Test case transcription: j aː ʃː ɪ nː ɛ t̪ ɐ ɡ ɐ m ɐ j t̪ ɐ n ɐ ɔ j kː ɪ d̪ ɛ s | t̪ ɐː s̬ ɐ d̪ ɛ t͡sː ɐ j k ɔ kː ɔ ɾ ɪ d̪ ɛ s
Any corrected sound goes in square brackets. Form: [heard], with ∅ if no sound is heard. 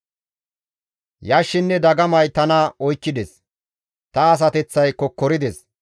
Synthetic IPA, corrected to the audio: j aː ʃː ɪ nː ɛ [d̪] ɐ ɡ ɐ m ɐ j t̪ ɐ n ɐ ɔ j kː ɪ d̪ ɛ s | t̪ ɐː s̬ ɐ [t̪] ɛ t͡sː ɐ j k ɔ kː ɔ ɾ ɪ d̪ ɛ s